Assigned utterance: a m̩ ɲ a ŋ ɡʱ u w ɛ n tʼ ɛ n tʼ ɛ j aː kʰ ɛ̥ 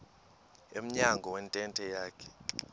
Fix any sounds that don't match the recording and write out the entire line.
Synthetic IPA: e m̩ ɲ a ŋ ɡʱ ɔ w ɛ n tʼ ɛ n tʼ ɛ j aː kʰ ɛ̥